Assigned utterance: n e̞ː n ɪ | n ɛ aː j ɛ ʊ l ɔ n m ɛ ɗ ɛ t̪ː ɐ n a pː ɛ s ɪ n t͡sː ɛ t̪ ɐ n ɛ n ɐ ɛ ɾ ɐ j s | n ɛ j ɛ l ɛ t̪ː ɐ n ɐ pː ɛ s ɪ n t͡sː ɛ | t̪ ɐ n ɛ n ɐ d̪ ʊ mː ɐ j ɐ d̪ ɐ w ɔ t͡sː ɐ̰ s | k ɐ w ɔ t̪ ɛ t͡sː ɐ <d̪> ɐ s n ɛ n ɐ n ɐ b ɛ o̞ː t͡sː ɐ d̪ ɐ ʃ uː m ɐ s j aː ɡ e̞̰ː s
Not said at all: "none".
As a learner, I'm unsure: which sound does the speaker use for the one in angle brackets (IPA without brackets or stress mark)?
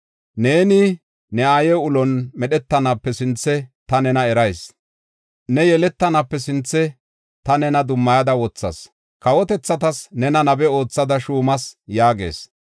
t̪